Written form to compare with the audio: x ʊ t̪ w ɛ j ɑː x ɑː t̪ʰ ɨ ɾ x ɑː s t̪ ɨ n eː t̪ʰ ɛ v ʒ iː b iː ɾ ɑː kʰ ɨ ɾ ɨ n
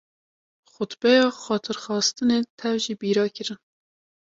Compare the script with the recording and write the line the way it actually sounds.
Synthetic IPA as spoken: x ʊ t̪ b ɛ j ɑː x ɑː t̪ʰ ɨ ɾ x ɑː s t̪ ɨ n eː t̪ʰ ɛ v ʒ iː b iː ɾ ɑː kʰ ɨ ɾ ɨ n